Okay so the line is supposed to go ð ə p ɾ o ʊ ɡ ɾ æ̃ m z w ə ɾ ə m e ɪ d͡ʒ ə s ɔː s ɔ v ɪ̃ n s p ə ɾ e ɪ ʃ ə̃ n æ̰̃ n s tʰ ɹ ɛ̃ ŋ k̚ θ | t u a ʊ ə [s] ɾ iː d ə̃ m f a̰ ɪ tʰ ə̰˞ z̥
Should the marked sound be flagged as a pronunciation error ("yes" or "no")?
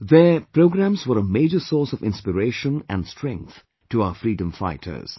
yes